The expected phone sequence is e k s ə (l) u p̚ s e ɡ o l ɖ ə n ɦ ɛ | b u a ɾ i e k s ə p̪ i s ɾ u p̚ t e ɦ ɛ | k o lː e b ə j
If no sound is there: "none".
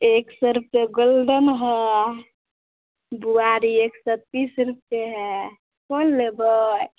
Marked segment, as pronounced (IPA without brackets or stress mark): ɾ